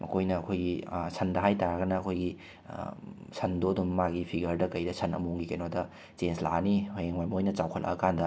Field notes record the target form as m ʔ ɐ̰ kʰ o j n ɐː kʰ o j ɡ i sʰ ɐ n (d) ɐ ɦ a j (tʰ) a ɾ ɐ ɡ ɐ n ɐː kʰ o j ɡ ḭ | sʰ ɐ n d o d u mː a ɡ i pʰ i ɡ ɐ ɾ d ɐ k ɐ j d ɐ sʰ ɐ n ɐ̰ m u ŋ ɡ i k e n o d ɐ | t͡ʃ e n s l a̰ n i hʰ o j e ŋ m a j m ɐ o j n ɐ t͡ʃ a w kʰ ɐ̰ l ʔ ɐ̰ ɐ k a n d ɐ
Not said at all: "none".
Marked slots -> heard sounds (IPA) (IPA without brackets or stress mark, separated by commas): d, t